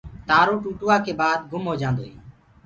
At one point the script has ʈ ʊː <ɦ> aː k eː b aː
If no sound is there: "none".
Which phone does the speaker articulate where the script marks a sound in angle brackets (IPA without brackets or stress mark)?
none